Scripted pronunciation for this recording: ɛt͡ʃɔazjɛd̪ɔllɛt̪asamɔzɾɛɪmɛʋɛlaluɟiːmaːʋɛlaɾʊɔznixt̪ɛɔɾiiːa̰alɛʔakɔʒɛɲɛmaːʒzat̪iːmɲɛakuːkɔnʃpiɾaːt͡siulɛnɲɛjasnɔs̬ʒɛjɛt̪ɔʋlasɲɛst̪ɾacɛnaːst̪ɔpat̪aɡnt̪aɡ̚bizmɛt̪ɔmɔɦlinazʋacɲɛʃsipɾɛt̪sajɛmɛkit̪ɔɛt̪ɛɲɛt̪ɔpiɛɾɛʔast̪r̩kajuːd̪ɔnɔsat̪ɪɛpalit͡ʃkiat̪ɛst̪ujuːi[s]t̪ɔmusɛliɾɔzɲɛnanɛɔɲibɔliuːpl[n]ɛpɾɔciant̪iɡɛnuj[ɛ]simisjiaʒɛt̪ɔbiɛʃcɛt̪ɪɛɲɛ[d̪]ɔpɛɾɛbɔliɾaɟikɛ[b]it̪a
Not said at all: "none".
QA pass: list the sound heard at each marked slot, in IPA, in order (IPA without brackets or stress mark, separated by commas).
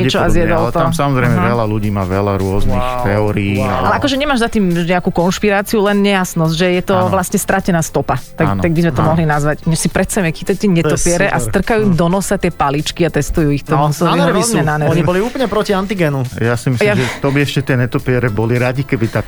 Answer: x, ɲ, a, t̪, b